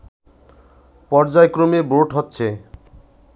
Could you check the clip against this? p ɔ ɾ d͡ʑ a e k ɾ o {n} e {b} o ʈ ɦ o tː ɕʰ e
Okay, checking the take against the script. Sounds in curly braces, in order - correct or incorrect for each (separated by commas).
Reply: incorrect, correct